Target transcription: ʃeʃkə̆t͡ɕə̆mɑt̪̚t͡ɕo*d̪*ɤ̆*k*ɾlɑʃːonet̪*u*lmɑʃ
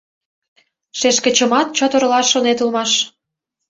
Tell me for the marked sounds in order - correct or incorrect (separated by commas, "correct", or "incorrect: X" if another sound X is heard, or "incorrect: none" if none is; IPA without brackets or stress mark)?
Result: incorrect: t̪, incorrect: none, correct